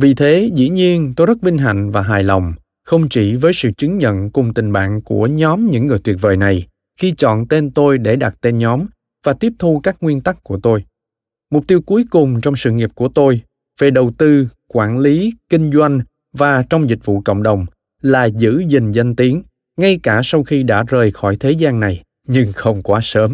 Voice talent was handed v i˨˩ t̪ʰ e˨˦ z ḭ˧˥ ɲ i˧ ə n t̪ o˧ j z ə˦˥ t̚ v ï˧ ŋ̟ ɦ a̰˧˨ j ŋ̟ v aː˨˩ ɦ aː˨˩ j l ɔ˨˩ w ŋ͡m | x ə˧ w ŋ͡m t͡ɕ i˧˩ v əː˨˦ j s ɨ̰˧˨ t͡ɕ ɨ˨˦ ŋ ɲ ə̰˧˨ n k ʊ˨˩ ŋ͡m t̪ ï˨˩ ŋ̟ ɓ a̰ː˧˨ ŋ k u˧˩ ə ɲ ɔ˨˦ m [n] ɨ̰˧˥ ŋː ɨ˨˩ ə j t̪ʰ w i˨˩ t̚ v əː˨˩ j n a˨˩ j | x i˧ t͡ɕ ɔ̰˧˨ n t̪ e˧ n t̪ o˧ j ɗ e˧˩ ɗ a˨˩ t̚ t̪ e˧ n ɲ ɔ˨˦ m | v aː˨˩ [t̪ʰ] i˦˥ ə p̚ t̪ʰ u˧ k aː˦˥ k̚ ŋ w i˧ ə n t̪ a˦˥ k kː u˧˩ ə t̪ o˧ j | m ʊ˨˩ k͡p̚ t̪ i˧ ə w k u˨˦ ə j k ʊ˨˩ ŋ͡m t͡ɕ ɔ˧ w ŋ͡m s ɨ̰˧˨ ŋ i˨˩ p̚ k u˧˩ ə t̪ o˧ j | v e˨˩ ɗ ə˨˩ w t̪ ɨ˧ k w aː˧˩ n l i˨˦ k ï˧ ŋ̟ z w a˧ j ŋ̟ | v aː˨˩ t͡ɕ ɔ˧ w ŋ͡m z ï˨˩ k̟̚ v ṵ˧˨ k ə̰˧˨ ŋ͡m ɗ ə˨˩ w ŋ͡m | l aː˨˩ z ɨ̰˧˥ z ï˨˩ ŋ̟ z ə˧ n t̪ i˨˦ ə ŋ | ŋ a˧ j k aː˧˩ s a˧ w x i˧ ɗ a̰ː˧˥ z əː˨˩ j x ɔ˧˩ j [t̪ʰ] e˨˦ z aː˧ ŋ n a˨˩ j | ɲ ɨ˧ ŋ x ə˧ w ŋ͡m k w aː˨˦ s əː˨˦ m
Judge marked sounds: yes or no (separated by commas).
no, no, yes